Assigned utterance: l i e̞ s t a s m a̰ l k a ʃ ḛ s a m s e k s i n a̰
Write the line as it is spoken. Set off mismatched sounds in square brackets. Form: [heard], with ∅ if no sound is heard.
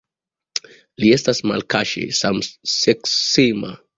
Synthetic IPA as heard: l i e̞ s t a s m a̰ l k a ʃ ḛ s a m s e k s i [m] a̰